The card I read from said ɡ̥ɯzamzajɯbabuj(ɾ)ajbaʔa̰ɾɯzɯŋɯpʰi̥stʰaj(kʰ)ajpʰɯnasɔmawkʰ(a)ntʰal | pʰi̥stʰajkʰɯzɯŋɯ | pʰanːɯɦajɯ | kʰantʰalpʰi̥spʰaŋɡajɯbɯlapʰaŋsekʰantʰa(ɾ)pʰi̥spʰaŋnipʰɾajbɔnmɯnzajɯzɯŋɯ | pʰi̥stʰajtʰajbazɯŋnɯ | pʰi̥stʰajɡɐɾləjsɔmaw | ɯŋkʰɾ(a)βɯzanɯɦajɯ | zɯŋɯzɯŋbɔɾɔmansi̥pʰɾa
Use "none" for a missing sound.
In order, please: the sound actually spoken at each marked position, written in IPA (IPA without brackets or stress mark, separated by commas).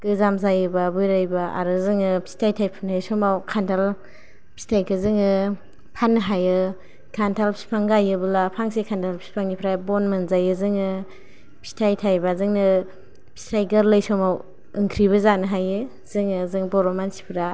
ɾ, tʰ, a, l, i